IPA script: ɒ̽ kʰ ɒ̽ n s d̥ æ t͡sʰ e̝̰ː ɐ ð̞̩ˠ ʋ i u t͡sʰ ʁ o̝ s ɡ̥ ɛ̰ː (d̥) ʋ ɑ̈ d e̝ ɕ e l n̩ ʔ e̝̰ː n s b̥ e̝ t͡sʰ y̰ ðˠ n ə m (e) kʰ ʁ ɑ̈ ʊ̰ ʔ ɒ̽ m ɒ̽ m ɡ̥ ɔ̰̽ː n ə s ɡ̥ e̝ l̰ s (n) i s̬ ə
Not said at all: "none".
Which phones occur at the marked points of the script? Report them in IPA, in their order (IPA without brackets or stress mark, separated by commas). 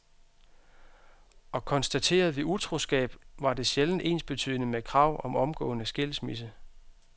b̥, e, m